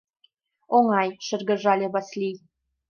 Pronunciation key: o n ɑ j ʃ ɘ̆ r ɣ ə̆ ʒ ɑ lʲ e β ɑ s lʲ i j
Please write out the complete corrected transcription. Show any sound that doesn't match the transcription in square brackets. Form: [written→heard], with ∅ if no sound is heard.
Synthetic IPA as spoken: o [n→ŋ] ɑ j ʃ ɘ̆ r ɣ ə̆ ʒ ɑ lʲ e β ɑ s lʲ i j